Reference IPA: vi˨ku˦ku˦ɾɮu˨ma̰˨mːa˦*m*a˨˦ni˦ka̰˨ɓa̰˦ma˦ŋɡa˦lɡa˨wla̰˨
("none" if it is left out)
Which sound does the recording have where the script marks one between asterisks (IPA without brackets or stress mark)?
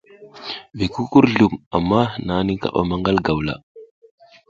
n